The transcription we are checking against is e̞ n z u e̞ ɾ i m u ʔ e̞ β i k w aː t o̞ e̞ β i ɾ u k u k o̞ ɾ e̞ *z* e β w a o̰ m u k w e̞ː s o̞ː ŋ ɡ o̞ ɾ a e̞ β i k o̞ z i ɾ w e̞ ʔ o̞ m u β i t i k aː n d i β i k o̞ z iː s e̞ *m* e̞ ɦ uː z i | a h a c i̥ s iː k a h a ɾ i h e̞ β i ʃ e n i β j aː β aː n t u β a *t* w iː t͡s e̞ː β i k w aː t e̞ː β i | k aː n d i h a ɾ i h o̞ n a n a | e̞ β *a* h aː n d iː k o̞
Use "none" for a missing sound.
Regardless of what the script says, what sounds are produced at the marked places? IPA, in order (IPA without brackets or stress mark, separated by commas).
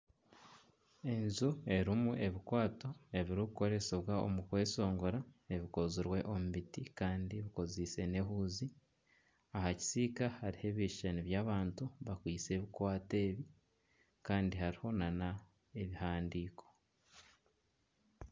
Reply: s, n, k, i